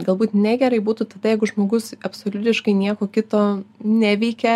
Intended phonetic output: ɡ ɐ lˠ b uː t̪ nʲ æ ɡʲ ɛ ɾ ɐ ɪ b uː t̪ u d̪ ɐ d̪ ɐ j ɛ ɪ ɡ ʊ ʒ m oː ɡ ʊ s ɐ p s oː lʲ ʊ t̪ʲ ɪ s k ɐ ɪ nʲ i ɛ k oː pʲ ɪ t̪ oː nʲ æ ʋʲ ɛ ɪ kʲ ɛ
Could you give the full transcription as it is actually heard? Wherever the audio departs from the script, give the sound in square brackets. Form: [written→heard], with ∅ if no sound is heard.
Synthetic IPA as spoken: ɡ ɐ lˠ b uː t̪ nʲ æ ɡʲ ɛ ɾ ɐ ɪ b uː t̪ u [d̪→t̪] ɐ d̪ ɐ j ɛ ɪ ɡ ʊ ʒ m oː ɡ ʊ s ɐ p s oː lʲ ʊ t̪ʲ ɪ [s→ʃ] k ɐ ɪ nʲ i ɛ k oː [pʲ→kʲ] ɪ t̪ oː nʲ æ ʋʲ ɛ ɪ kʲ ɛ